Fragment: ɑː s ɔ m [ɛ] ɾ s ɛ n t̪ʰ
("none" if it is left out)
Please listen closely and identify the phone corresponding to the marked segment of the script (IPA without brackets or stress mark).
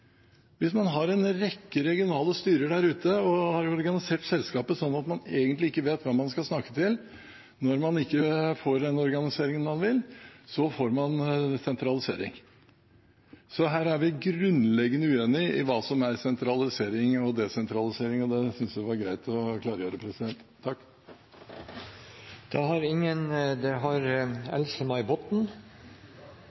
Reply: æ